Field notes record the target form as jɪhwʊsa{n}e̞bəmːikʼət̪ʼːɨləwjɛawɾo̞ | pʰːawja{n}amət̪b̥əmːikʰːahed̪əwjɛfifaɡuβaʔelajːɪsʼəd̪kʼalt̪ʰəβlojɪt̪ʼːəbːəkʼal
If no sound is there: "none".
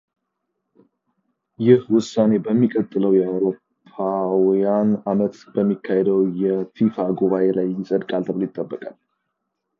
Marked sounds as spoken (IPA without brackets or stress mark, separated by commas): n, n